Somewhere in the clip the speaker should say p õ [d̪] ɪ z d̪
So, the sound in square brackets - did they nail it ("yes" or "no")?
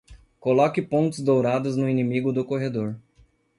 no